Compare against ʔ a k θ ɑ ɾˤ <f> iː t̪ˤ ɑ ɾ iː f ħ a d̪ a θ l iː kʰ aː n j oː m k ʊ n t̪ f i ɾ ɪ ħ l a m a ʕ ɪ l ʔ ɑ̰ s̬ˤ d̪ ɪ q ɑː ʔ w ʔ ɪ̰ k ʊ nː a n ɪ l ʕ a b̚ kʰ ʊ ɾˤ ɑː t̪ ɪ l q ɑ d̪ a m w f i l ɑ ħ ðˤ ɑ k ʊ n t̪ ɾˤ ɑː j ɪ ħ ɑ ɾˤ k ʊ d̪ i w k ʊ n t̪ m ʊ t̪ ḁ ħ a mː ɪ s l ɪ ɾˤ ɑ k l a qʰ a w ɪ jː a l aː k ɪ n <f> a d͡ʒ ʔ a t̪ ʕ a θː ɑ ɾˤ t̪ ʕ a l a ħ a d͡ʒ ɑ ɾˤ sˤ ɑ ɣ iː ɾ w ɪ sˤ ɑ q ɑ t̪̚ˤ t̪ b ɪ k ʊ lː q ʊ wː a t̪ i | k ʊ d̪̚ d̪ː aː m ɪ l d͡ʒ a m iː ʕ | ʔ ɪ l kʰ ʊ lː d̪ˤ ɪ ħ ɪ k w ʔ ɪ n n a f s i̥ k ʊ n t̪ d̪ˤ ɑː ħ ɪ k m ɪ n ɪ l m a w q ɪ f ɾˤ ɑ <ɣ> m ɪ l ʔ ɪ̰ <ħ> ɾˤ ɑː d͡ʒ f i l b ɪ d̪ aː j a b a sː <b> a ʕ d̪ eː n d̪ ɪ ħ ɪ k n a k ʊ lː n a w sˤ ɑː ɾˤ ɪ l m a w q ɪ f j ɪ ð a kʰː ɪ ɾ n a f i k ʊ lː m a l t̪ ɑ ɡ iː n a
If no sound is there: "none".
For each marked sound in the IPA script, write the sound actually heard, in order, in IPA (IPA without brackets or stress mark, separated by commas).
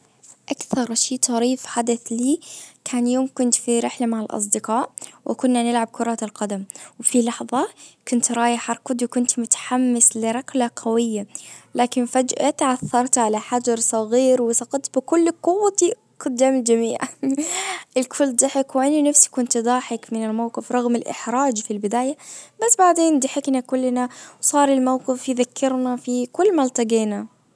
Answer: ʃ, f, ɣ, ħ, b